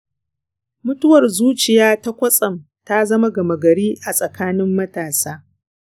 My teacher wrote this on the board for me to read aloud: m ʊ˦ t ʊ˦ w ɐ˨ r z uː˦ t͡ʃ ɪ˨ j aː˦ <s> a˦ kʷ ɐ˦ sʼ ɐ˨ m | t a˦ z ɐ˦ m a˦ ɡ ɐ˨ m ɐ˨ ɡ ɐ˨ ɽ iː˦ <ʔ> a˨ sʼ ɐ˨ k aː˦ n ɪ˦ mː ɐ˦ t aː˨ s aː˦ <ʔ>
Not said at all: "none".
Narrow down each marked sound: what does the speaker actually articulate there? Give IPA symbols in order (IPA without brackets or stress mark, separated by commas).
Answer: t, ʔ, none